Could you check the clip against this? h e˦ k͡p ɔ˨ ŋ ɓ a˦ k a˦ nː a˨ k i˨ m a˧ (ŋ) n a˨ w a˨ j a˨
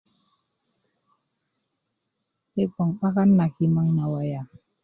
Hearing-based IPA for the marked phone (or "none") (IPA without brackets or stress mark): ŋ